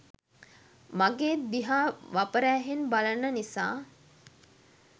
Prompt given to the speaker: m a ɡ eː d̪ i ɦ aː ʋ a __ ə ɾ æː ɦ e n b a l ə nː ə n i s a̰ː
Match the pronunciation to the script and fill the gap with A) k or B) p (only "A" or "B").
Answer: B